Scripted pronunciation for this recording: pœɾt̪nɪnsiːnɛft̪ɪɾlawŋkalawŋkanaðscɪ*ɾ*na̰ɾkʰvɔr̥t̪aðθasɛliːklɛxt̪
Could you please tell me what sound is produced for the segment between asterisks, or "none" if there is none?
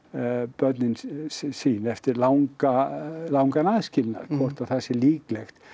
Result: l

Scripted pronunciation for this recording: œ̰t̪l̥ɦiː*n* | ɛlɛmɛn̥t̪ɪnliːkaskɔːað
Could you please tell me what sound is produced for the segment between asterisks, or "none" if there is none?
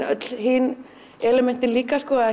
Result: n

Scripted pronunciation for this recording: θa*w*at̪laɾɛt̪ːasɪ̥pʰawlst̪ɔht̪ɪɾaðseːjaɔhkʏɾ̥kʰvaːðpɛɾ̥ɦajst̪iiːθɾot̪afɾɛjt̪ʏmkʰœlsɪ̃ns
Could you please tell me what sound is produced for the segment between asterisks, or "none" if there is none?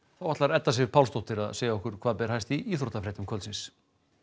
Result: w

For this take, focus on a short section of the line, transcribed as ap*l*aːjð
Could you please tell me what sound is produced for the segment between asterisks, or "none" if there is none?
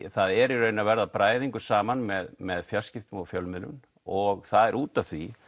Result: ɾ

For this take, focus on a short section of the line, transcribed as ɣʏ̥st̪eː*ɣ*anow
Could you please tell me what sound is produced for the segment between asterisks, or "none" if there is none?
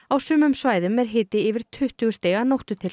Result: ɣ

